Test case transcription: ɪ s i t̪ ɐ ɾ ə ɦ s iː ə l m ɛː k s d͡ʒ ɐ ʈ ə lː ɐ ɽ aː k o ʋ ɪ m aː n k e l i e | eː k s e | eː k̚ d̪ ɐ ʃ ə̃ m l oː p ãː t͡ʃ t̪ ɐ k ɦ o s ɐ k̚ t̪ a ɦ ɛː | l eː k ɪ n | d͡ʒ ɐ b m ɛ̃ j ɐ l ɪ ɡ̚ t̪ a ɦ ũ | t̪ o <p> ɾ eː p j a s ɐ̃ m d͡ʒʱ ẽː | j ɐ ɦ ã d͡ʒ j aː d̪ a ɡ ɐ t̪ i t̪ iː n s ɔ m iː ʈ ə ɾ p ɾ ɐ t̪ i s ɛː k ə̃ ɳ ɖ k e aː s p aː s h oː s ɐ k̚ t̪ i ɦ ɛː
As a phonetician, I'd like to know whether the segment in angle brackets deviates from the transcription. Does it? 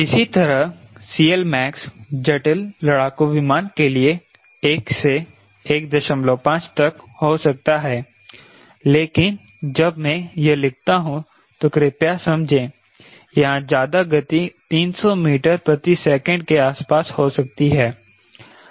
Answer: yes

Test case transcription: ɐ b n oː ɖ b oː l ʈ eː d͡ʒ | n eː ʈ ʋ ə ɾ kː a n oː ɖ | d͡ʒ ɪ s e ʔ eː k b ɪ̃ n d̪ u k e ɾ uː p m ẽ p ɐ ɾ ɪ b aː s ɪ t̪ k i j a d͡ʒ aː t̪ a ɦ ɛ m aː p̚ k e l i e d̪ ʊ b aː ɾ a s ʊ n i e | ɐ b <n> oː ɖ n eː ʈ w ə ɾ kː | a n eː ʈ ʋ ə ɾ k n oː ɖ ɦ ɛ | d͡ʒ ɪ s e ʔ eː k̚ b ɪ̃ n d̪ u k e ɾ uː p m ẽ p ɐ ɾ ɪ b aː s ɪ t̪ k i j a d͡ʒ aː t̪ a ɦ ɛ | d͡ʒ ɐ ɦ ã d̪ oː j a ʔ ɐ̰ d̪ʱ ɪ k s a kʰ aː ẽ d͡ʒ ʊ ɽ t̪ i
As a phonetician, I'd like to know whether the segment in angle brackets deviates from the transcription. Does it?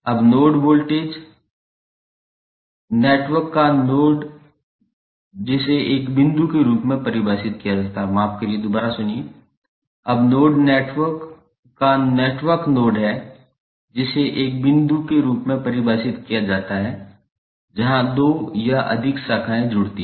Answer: no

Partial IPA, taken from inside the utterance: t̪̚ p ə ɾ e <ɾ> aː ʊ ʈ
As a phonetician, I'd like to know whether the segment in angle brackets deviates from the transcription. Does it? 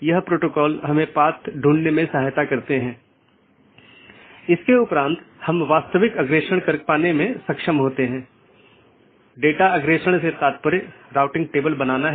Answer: no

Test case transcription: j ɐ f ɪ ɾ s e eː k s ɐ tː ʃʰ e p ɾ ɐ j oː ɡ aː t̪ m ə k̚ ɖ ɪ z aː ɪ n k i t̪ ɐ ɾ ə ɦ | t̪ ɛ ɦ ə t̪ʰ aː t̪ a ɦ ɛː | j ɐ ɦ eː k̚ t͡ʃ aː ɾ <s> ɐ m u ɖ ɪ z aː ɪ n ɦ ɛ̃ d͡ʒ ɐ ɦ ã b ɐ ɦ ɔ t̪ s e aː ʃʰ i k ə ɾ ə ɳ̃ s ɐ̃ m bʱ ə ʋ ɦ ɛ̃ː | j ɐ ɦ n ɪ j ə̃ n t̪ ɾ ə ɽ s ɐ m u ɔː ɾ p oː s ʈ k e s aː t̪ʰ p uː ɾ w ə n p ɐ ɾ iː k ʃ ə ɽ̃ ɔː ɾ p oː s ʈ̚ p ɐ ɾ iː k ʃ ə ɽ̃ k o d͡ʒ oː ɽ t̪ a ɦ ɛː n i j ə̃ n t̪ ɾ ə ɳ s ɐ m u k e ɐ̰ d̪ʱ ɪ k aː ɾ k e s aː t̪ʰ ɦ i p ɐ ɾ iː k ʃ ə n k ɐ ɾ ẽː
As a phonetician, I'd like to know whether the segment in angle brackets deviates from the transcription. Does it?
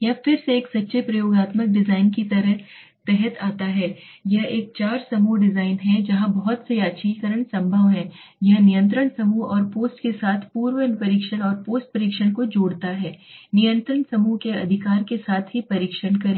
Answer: no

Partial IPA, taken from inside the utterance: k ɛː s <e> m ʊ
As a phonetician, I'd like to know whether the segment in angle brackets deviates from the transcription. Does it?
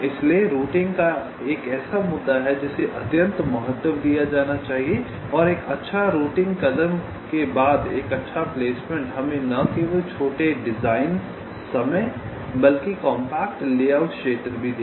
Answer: yes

